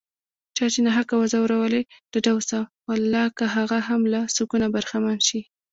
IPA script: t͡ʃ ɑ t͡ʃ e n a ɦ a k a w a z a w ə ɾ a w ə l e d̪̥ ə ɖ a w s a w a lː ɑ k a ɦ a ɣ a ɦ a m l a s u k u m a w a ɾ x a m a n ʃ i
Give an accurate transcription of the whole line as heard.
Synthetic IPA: t͡ʃ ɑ t͡ʃ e n a ɦ a k a w a z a w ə ɾ a w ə l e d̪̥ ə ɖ a w s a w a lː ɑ k a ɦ a ɣ a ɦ a m l a s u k u n a b a ɾ x a m a n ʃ i